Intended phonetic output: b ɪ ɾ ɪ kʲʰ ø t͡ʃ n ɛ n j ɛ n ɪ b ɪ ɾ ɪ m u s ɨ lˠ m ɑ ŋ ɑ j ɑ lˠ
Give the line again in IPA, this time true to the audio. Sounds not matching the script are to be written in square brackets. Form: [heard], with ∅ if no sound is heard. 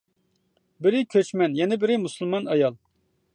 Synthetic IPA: b ɪ ɾ ɪ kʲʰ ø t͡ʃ [m] ɛ n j ɛ n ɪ b ɪ ɾ ɪ m u s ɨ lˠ m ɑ [n] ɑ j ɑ lˠ